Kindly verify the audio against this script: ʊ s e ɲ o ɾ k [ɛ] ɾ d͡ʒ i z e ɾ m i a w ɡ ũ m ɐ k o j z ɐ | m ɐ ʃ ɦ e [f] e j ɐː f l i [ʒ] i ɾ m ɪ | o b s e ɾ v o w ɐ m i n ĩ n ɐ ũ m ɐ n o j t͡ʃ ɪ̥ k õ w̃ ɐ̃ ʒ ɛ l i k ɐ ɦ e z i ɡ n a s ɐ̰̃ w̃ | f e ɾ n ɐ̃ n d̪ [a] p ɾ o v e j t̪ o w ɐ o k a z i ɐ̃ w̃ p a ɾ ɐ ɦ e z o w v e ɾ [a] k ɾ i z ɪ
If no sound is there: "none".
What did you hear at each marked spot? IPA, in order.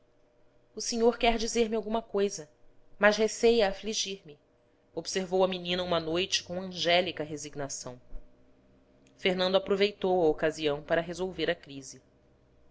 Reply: ɛ, s, ʒ, a, ɐ

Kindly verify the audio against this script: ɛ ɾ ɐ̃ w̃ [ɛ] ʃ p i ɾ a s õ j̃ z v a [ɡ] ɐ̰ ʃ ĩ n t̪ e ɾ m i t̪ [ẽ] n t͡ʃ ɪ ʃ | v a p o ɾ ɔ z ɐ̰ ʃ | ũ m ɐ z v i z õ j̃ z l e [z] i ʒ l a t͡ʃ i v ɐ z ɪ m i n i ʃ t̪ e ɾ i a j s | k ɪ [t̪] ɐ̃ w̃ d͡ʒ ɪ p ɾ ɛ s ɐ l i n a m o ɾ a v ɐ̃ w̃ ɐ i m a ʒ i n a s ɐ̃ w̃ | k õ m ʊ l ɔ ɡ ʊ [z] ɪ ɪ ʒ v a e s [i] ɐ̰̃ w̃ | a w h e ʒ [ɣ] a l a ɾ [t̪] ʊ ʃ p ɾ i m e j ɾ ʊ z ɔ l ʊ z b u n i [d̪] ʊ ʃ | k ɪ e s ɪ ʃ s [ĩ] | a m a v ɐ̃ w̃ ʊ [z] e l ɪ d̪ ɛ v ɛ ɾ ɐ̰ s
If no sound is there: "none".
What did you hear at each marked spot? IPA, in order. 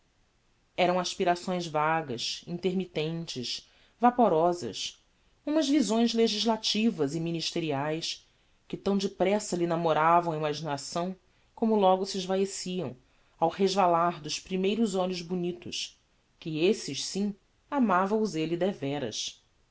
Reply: a, ɡ, ẽ, ʒ, t̪, s, i, v, d̪, t̪, ĩ, z

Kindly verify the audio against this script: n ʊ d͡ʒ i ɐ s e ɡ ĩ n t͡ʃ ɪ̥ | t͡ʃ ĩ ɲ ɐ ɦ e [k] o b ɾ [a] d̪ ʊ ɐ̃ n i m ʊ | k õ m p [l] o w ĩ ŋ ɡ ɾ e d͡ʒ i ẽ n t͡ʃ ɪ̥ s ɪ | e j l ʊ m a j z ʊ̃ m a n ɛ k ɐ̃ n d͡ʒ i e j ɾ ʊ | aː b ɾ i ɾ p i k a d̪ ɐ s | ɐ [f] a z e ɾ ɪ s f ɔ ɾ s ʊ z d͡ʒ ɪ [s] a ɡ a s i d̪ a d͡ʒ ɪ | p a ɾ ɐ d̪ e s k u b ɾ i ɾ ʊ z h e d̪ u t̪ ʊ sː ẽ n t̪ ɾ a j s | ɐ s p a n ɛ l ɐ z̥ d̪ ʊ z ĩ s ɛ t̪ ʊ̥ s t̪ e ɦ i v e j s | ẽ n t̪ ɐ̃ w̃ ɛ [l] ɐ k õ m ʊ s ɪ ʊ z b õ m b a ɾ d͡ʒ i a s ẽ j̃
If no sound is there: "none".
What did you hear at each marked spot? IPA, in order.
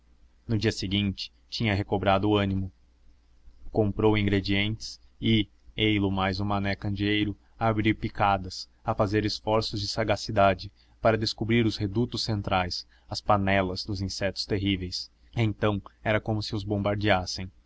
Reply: k, a, ɾ, f, s, ɾ

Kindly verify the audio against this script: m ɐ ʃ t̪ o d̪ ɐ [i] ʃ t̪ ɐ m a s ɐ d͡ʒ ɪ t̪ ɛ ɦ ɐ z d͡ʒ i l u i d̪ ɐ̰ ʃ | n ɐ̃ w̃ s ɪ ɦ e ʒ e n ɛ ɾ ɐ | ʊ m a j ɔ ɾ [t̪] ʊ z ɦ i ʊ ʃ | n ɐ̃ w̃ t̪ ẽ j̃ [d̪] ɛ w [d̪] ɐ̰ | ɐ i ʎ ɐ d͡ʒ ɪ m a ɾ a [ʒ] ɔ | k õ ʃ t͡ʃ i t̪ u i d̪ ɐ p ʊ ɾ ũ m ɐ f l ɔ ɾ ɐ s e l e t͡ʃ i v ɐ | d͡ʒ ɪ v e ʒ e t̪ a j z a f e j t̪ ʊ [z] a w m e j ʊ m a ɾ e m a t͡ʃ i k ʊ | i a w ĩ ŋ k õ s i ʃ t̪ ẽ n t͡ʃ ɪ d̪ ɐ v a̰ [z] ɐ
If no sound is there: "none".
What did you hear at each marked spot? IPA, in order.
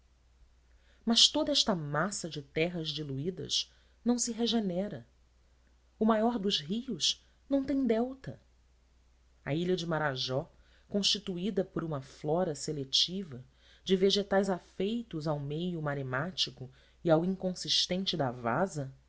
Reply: ɛ, d̪, d̪, t̪, ʒ, z, z

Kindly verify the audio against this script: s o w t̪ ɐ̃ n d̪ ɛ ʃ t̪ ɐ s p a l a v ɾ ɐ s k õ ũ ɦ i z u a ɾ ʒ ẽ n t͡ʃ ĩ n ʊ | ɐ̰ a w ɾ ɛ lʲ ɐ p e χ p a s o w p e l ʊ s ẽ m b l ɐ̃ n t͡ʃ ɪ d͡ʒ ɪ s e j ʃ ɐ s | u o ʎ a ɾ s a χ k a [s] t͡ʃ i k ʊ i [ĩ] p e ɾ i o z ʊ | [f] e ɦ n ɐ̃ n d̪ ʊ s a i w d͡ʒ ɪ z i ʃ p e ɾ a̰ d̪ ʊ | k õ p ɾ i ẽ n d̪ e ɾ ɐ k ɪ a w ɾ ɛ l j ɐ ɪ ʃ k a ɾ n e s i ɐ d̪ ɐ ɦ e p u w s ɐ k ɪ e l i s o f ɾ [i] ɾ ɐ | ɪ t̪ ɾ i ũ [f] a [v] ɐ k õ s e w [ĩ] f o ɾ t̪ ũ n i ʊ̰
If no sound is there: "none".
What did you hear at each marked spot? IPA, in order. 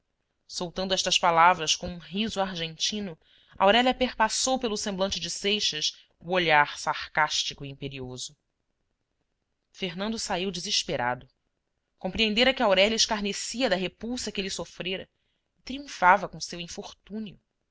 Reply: ʃ, ĩ, f, e, f, v, ĩ

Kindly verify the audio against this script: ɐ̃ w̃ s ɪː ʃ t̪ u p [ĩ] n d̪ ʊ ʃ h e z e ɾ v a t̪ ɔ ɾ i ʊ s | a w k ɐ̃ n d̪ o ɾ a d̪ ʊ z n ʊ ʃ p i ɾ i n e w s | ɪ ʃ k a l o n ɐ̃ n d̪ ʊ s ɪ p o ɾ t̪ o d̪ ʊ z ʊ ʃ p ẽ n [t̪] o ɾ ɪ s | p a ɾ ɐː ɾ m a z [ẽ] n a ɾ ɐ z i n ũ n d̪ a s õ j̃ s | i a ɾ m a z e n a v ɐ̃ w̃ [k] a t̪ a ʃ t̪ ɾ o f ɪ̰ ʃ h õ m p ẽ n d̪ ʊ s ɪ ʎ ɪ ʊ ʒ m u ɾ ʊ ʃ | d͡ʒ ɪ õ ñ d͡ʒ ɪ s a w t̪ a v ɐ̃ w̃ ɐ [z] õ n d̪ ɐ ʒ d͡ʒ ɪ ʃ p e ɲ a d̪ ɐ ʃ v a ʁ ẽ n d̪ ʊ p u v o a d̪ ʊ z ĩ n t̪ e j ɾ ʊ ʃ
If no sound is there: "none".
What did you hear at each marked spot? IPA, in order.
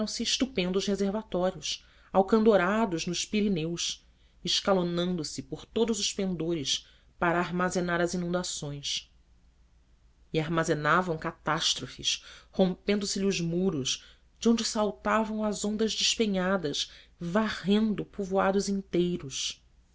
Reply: ẽ, d̪, e, k, z

